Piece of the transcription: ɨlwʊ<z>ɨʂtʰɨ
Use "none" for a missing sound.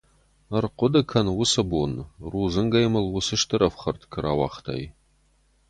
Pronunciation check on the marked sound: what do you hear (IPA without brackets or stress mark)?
s